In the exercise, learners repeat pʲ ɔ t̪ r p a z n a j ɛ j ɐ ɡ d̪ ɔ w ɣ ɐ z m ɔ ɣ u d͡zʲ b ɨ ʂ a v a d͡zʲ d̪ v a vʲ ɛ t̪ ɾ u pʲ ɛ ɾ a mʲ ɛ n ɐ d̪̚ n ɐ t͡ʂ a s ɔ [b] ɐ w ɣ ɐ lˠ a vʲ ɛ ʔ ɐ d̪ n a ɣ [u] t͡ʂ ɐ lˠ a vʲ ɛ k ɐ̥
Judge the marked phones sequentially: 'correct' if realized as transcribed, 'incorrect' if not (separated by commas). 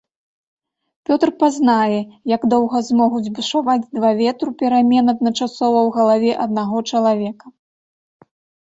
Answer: incorrect, incorrect